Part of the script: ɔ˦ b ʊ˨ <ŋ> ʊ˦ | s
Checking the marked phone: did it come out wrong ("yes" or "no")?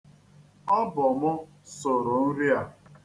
yes